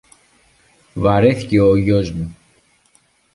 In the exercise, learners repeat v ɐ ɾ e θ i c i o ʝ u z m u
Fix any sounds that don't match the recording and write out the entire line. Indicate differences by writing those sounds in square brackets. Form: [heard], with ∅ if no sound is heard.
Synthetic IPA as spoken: v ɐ ɾ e θ i c [e] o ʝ [o] z m u

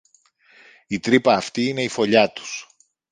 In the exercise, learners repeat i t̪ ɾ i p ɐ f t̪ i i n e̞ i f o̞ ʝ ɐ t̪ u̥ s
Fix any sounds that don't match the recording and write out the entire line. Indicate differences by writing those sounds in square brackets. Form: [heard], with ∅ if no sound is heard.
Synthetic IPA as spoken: i t̪ ɾ i p [ɐː] f t̪ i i n e̞ i f o̞ [ʎ] ɐ t̪ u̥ s

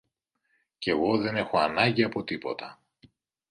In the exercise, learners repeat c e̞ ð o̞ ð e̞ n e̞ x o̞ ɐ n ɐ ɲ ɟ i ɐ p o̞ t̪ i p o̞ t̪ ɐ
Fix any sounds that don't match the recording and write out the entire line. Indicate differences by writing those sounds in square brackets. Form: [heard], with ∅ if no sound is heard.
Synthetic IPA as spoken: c e̞ [ɣ] o̞ ð e̞ n e̞ x o̞ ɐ n ɐ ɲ ɟ i ɐ p o̞ t̪ i p o̞ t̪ ɐ

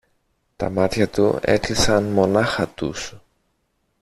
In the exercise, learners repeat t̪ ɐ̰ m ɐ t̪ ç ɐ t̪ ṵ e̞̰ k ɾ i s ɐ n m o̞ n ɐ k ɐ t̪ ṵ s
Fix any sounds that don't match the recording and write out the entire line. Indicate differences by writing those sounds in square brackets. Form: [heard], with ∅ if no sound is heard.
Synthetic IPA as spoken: t̪ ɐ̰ m ɐ t̪ ç ɐ t̪ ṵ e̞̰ k [l] i s ɐ n m o̞ n ɐ [x] ɐ t̪ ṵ s

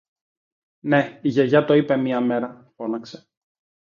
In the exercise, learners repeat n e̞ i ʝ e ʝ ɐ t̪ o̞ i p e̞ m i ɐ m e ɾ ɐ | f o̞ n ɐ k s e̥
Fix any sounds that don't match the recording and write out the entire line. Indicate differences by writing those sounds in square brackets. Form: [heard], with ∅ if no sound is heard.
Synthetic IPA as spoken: n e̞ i ʝ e ʝ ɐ t̪ o̞ i p e̞ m i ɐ m e ɾ ɐ | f o̞ n ɐ k s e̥

